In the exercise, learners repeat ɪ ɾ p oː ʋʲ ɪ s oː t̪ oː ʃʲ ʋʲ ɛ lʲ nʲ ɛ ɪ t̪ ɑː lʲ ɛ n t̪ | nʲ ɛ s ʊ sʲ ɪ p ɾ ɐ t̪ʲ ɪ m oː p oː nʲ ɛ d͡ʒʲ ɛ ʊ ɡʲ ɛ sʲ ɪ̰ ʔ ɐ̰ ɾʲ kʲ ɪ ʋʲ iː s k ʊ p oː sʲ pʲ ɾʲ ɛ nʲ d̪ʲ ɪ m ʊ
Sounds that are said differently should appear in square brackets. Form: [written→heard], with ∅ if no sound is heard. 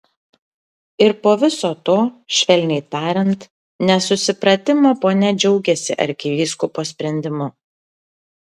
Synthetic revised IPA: ɪ ɾ p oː ʋʲ ɪ s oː t̪ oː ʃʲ ʋʲ ɛ lʲ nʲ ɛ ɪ t̪ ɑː [lʲ→ɾʲ] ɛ n t̪ | nʲ ɛ s ʊ sʲ ɪ p ɾ ɐ t̪ʲ ɪ m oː p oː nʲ ɛ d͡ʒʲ ɛ ʊ ɡʲ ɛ sʲ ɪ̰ ʔ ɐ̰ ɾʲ kʲ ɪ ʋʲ iː s k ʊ p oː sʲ pʲ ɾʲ ɛ nʲ d̪ʲ ɪ m ʊ